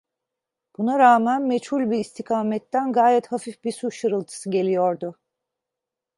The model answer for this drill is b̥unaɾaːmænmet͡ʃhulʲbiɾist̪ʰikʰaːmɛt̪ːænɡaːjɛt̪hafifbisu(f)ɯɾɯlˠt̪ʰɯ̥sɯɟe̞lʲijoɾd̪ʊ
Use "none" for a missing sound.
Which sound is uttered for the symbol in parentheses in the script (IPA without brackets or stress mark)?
ʃ